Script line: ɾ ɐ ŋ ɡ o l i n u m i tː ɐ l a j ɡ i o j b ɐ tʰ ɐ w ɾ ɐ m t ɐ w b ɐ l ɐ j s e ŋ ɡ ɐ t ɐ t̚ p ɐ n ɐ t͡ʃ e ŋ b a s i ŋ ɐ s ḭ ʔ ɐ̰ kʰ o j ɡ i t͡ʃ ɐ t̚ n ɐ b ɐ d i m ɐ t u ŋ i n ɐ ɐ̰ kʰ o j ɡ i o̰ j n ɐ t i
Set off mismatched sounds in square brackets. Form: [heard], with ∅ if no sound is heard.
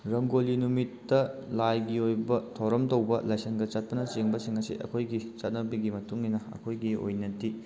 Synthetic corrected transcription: ɾ ɐ ŋ ɡ o l i n u m i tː ɐ l a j ɡ i o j b ɐ tʰ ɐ w ɾ ɐ m t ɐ w b ɐ l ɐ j s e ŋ ɡ ɐ [t͡ʃ] ɐ t̚ p ɐ n ɐ t͡ʃ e ŋ b [ɐ] s i ŋ ɐ s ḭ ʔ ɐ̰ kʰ o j ɡ i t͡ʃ ɐ t̚ n ɐ b ɐ [ɡ] i m ɐ t u ŋ i n ɐ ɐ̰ kʰ o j ɡ i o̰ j n ɐ t i